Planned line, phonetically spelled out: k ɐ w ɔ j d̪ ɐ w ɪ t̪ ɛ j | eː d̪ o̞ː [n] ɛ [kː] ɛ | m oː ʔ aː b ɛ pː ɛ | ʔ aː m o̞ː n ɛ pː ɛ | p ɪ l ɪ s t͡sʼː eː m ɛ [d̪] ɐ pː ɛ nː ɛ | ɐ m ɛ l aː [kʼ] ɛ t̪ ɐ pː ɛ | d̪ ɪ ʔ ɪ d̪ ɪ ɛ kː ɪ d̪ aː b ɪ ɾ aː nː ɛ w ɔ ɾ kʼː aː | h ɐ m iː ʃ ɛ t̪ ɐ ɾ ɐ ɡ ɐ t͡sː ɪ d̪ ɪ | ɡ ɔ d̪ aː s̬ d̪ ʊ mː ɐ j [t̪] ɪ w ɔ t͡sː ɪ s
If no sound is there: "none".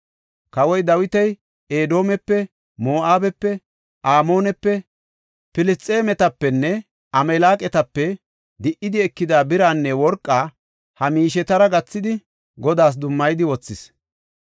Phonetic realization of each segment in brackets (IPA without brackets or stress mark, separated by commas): m, pː, t̪, kʼ, d̪